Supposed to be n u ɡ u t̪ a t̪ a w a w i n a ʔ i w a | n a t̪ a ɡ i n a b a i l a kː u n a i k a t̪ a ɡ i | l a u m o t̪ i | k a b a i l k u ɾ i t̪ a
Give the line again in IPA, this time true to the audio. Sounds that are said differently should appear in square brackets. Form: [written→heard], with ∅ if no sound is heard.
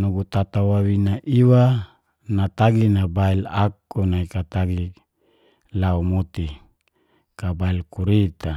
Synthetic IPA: n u ɡ u t̪ a t̪ a w a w i n a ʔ i w a | n a t̪ a ɡ i n a b a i l a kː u n a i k a t̪ a ɡ i | l a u m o t̪ i | k a b a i l k u ɾ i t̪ a